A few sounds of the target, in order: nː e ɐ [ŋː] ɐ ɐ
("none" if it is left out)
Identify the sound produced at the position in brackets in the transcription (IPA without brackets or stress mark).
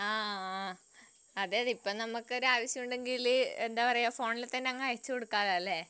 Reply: ŋː